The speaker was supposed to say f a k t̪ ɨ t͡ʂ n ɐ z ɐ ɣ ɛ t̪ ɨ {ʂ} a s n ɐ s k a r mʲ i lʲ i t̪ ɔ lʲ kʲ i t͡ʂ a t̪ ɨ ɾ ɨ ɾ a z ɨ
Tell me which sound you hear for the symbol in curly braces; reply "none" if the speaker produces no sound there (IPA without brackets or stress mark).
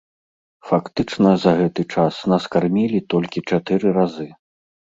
t͡ʂ